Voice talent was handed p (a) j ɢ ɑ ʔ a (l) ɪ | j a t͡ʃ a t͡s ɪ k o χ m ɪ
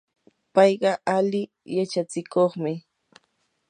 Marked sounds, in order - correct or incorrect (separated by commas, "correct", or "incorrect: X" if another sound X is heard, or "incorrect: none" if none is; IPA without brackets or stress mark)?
incorrect: ɑ, correct